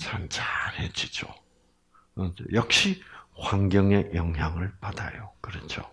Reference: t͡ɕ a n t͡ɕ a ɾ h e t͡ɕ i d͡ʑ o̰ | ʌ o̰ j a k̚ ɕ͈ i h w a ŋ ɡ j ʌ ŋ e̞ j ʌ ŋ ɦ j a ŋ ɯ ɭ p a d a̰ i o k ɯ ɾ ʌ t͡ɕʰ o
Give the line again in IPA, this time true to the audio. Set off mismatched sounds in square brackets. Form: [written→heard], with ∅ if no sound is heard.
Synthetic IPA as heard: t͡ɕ a n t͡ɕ a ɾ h e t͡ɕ i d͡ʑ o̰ | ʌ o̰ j [a→ʌ] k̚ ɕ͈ i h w a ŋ ɡ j ʌ ŋ e̞ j ʌ ŋ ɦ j a ŋ ɯ ɭ p a d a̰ [i→j] o k ɯ ɾ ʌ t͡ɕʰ o